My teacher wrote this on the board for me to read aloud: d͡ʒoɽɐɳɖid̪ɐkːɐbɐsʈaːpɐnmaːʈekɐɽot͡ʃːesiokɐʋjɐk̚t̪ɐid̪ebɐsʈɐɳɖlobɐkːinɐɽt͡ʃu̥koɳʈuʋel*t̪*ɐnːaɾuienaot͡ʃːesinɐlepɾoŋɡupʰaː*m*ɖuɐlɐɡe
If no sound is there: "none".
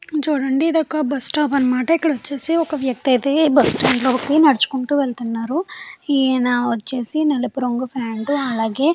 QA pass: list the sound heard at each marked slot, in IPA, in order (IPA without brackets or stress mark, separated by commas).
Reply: t̪, ɳ